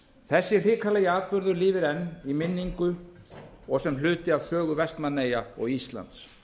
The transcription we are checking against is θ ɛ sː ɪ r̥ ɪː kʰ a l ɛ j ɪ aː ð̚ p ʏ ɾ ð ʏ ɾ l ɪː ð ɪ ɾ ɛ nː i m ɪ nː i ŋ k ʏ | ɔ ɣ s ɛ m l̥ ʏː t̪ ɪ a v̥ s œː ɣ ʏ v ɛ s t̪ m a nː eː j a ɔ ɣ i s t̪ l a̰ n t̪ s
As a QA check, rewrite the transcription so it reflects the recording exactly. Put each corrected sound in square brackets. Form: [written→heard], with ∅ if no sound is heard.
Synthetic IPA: θ ɛ sː ɪ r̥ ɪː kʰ a l ɛ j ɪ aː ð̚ p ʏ ɾ ð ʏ ɾ l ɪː [ð→v] ɪ ɾ ɛ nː i m ɪ nː i ŋ k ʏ | ɔ ɣ s ɛ m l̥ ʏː t̪ ɪ a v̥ s œː ɣ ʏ v ɛ s t̪ m a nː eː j a ɔ ɣ i s t̪ l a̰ n t̪ s